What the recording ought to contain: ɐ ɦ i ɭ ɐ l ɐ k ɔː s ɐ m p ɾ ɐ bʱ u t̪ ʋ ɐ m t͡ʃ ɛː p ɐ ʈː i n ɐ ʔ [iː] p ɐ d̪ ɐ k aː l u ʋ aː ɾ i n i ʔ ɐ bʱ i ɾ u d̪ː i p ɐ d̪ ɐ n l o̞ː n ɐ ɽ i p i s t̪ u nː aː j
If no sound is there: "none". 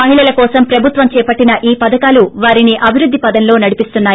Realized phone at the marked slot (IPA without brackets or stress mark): iː